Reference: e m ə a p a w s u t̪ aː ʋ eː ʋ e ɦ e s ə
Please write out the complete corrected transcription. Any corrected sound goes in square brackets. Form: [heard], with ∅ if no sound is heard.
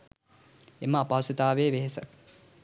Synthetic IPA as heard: e m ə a p a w s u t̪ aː ʋ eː ʋ e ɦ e s ə

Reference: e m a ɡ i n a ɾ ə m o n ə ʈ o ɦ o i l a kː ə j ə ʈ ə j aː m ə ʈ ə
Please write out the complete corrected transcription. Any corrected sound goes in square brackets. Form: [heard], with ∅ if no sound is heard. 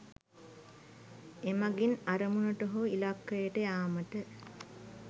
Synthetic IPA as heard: e m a ɡ i n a ɾ ə m [u] n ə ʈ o ɦ o i l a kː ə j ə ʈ ə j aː m ə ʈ ə

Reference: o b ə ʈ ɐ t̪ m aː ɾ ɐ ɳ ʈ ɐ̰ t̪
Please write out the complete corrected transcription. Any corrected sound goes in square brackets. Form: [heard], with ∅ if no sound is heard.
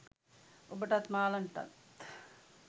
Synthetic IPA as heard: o b ə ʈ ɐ t̪ m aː [l] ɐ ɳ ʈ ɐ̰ t̪

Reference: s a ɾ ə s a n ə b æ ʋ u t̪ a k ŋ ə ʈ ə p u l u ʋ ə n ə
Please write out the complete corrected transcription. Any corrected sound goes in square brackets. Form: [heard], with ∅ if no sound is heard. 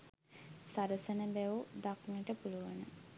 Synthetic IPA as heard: s a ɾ ə s [ə] n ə b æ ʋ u [d̪] a k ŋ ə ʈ ə p u l u ʋ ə n ə

